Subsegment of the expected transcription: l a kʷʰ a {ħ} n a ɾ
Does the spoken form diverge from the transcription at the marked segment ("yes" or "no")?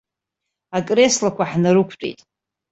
no